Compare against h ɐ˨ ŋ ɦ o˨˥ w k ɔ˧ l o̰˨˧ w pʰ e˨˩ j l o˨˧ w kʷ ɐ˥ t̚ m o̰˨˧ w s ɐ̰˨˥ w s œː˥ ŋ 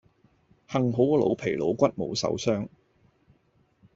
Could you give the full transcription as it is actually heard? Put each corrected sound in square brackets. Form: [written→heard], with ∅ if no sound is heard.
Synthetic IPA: h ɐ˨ ŋ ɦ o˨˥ w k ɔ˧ l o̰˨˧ w pʰ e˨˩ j l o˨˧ w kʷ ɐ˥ t̚ m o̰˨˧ w s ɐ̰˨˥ w s œː˥ ŋ